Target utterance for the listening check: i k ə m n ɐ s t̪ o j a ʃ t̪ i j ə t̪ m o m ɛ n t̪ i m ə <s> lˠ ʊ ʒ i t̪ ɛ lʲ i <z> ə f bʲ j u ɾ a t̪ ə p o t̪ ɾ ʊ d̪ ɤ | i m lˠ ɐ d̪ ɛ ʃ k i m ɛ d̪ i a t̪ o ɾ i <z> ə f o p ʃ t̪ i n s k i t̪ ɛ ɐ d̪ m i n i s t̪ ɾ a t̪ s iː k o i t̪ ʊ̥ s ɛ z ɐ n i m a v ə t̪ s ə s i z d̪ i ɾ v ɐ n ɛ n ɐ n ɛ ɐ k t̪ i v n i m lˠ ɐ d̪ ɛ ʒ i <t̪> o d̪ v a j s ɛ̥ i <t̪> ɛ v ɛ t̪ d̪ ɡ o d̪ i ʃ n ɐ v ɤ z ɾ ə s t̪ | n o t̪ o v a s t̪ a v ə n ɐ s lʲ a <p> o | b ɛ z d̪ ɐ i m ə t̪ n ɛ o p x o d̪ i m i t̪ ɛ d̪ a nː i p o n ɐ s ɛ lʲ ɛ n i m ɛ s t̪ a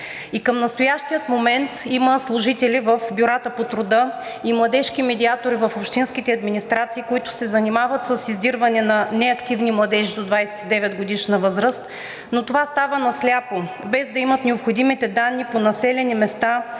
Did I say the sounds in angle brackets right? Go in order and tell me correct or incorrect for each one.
correct, incorrect, incorrect, incorrect, incorrect, correct

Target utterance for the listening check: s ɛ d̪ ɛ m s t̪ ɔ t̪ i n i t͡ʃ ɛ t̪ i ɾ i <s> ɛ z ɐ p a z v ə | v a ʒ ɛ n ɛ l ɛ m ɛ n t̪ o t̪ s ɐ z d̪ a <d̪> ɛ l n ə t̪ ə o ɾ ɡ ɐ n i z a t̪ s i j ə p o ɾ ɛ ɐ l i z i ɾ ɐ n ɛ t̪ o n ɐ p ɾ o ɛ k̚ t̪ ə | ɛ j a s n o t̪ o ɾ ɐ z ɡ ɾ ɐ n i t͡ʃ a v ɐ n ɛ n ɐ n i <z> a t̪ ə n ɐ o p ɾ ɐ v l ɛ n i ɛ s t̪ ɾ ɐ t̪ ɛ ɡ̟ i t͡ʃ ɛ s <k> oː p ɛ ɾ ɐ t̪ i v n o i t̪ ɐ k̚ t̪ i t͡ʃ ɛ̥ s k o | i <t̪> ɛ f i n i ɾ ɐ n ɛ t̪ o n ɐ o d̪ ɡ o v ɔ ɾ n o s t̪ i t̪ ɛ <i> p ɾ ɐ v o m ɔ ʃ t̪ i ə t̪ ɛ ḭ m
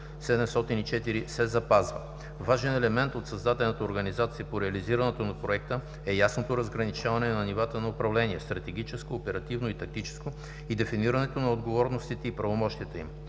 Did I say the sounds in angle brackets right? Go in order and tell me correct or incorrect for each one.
correct, incorrect, incorrect, correct, incorrect, correct

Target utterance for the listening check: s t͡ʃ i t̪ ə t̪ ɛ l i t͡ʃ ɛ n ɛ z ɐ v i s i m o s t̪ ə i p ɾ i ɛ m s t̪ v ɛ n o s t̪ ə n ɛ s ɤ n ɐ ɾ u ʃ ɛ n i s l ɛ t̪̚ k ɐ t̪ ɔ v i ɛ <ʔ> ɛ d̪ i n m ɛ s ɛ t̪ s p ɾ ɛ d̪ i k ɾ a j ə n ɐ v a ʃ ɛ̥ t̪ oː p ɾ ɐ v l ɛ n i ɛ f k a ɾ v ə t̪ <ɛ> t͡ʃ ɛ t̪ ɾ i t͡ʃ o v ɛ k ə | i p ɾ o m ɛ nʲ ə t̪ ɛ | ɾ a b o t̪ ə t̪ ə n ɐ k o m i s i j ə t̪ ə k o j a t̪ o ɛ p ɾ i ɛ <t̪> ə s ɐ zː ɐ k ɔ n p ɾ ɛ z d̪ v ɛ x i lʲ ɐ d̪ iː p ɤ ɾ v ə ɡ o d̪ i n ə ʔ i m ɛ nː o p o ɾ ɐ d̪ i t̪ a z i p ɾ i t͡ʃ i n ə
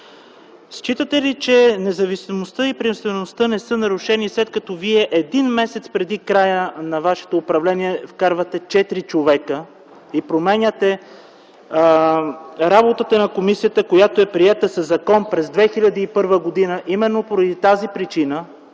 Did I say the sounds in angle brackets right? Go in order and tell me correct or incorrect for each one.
correct, correct, correct

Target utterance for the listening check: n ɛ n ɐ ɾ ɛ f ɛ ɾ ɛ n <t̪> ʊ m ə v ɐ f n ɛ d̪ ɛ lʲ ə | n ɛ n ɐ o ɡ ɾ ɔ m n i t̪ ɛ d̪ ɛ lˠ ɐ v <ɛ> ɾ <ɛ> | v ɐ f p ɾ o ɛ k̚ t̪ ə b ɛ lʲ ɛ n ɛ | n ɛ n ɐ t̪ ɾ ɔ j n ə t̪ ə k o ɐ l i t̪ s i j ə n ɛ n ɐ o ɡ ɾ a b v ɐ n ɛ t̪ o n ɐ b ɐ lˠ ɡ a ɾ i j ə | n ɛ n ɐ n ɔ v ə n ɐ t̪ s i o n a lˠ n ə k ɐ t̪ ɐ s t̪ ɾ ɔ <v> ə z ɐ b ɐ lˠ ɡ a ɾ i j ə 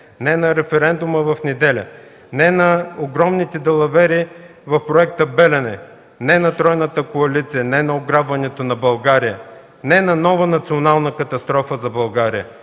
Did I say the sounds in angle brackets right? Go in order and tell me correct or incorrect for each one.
incorrect, correct, incorrect, incorrect

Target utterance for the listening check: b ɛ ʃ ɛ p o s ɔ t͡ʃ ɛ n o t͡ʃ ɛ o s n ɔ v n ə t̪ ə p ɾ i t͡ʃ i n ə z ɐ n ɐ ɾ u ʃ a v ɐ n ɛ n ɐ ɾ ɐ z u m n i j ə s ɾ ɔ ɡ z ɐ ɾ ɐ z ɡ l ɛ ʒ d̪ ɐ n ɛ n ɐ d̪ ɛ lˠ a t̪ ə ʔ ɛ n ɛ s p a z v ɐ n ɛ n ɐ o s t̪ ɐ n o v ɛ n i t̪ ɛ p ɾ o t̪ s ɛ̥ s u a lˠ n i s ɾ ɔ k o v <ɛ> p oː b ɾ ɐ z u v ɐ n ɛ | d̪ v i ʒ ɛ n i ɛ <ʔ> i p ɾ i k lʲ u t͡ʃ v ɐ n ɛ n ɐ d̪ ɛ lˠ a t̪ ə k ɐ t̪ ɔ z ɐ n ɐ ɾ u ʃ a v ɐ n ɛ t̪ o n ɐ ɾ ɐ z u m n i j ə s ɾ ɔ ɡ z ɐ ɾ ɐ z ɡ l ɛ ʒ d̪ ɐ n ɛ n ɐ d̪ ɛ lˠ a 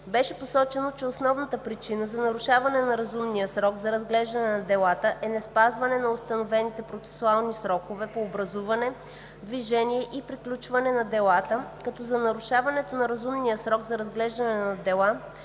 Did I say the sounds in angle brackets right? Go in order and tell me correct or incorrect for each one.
correct, correct

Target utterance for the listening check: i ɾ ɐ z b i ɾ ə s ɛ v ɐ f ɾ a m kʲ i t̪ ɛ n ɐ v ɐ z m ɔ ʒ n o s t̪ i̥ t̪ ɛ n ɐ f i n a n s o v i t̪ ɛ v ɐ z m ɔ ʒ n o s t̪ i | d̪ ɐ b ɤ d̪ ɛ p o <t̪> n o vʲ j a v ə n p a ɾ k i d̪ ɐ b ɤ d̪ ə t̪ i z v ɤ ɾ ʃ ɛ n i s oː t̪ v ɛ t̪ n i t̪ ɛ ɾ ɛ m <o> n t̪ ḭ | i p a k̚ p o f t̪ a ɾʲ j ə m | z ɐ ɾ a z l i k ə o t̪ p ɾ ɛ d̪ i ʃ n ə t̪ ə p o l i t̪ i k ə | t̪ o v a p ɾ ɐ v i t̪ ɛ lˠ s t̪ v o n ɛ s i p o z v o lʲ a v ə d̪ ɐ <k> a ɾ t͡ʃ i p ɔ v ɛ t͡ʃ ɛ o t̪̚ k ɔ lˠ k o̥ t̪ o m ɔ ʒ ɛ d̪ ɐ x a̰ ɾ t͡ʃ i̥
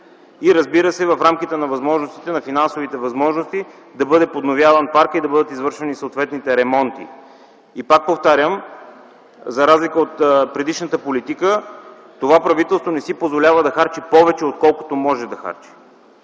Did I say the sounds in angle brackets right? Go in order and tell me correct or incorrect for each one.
incorrect, incorrect, incorrect

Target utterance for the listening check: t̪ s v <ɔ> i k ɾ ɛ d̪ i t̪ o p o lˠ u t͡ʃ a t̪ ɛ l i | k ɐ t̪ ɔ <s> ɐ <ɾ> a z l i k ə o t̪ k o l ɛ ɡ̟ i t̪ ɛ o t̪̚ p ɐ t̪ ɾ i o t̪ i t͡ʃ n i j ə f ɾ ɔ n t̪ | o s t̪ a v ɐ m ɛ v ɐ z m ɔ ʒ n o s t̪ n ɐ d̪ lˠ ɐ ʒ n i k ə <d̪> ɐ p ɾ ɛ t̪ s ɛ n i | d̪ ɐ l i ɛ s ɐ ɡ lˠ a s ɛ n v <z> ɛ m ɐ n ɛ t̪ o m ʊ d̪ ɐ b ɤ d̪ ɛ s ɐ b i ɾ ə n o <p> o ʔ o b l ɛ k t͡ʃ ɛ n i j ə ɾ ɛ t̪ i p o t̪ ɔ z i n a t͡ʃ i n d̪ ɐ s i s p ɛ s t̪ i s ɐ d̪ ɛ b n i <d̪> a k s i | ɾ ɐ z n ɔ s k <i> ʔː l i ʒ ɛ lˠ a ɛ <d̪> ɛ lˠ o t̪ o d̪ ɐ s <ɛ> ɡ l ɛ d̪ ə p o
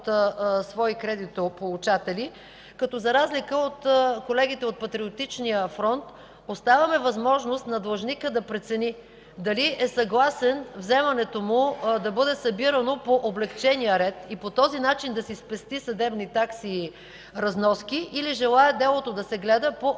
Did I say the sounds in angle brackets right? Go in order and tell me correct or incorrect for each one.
correct, incorrect, correct, correct, correct, correct, incorrect, correct, correct, correct

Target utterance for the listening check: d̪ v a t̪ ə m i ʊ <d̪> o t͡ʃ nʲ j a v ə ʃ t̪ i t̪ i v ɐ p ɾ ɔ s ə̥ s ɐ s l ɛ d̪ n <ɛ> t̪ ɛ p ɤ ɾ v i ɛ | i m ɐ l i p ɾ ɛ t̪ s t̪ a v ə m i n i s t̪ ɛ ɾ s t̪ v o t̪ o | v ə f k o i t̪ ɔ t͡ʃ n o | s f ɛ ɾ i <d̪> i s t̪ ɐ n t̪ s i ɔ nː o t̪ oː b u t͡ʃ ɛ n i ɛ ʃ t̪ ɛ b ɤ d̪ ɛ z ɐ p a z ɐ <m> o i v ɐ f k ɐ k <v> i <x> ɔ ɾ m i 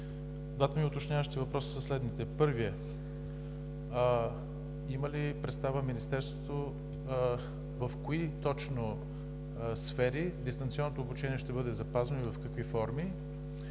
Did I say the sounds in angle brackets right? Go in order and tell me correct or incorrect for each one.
incorrect, incorrect, correct, incorrect, correct, incorrect

